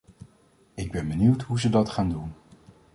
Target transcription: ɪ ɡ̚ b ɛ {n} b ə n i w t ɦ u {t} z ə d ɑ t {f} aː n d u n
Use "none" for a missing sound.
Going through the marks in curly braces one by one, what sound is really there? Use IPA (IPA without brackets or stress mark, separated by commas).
n, none, χ